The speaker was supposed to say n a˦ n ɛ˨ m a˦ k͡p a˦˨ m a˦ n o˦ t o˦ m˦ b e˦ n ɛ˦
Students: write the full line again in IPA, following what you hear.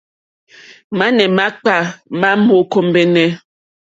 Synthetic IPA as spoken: m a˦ n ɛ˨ m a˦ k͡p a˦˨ m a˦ m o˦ k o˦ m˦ b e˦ n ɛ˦

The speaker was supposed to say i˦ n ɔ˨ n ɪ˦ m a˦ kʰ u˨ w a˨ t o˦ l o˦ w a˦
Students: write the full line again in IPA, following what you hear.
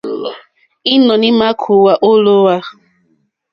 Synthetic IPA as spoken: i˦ n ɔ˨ n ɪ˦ m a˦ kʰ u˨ w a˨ ʔ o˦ l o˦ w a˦

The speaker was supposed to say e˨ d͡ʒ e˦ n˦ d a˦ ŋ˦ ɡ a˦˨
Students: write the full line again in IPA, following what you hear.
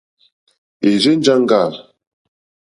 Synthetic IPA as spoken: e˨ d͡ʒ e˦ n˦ d͡ʒ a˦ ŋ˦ ɡ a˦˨

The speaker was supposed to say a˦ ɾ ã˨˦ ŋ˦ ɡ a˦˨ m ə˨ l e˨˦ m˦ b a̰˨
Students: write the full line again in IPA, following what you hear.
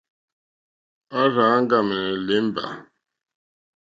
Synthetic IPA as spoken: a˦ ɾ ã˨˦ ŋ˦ ɡ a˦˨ m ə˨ l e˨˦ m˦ b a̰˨

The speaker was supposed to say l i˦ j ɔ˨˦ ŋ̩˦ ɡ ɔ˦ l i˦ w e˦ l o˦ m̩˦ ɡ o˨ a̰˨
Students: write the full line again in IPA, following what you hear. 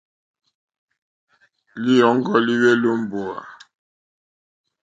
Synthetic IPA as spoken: l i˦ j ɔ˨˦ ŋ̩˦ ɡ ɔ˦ l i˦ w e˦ l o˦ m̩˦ b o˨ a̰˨

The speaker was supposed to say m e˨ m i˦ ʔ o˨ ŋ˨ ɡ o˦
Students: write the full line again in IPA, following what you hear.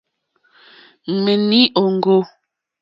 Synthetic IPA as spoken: m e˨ n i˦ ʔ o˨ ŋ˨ ɡ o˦

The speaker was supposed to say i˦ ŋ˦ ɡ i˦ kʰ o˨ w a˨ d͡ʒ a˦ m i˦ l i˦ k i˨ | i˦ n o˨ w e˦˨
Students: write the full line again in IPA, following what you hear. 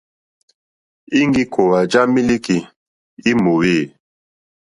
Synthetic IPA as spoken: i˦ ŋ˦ ɡ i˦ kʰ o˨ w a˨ d͡ʒ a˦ m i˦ l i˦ k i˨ | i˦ m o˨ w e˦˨

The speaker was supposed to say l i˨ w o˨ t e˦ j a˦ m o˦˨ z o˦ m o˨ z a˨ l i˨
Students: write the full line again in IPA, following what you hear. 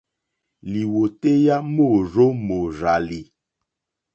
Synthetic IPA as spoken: l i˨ w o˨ t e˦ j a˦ m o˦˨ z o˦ m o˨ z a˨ l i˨

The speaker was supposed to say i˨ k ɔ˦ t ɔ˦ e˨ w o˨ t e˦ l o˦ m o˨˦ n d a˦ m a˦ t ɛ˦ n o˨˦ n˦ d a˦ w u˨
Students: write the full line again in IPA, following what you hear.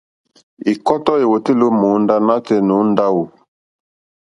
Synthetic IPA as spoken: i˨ k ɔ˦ t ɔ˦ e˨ w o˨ t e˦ l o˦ m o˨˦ n d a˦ n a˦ t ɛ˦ n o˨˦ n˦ d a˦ w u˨

